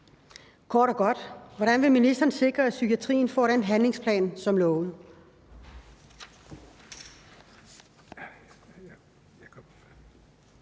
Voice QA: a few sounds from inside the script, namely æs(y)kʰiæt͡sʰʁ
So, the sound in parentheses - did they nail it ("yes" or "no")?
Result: yes